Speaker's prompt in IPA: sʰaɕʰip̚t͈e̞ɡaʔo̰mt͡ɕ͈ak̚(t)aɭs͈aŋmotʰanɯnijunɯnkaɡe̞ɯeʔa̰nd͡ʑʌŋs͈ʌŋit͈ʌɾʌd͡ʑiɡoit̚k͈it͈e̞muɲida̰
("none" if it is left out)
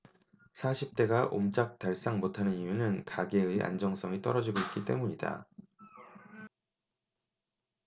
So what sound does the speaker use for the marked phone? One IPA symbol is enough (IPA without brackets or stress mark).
t